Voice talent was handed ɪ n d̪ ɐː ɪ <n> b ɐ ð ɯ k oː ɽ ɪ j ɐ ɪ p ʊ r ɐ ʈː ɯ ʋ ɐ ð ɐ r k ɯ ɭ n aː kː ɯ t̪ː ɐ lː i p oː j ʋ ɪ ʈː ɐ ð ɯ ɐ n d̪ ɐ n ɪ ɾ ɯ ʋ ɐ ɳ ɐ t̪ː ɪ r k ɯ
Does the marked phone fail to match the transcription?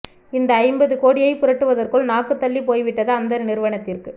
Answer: yes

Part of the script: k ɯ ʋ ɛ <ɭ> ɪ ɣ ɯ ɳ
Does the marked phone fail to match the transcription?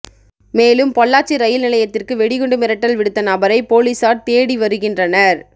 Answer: yes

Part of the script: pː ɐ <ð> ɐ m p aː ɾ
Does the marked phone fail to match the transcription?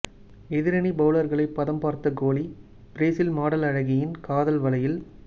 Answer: no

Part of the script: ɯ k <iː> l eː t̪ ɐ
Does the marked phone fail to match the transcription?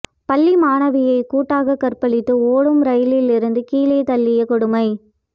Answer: no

